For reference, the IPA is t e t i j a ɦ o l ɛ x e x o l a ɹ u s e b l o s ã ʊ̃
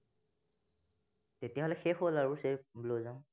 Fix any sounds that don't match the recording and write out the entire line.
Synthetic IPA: t e t i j a ɦ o l ɛ x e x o l a ɹ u s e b l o z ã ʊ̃